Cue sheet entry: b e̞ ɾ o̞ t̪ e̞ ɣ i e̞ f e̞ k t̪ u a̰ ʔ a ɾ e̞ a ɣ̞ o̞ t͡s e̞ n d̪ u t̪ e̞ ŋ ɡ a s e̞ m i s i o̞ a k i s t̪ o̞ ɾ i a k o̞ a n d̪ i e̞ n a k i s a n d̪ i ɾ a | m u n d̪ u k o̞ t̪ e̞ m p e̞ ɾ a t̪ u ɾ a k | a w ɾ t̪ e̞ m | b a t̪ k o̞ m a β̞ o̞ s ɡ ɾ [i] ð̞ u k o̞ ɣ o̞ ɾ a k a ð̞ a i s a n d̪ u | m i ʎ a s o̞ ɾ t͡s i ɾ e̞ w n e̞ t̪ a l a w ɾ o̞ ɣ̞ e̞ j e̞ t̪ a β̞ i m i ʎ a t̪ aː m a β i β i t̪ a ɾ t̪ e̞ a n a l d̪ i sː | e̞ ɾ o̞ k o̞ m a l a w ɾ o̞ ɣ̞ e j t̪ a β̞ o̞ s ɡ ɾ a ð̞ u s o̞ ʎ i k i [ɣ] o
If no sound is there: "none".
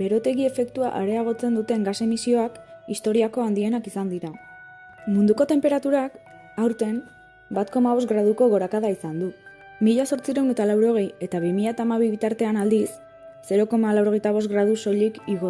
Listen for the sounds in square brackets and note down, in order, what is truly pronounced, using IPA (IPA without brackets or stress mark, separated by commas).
a, ɣ